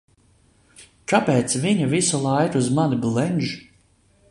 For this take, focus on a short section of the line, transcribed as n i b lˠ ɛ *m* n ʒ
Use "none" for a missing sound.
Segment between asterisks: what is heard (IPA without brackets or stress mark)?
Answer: none